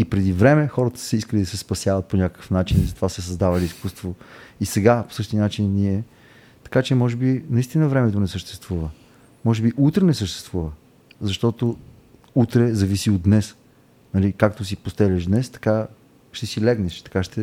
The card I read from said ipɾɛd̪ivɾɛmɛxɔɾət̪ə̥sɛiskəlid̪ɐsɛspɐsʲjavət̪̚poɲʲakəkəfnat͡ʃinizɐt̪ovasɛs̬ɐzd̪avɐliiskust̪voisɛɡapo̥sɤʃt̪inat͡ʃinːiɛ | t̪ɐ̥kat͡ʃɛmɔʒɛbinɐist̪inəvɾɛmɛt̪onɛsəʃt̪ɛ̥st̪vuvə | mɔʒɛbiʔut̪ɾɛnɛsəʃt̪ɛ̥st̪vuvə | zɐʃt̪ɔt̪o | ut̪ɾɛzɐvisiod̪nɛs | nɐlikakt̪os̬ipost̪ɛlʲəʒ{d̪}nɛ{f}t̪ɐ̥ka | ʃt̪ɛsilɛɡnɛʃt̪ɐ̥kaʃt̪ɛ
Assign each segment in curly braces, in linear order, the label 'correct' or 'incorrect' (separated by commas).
correct, incorrect